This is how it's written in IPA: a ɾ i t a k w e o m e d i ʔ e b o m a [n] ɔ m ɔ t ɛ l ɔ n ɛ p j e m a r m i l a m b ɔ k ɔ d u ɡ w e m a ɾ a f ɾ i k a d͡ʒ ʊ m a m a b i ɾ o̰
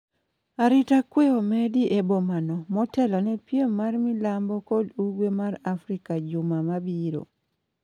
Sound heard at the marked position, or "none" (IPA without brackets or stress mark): n